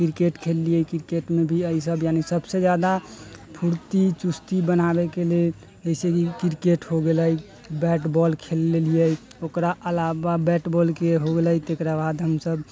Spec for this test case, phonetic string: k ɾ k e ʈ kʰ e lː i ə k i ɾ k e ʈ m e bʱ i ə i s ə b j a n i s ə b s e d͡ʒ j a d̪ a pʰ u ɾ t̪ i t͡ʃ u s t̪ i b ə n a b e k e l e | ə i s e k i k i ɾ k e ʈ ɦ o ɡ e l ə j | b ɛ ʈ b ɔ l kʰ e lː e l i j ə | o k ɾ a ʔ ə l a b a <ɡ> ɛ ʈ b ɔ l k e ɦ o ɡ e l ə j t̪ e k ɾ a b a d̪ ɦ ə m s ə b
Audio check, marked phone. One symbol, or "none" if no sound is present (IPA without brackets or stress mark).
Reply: b